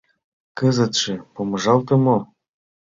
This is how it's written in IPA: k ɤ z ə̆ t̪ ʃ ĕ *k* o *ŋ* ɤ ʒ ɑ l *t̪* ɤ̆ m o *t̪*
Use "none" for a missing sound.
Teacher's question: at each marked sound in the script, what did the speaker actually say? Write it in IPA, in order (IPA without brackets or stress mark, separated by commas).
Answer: p, m, t̪, none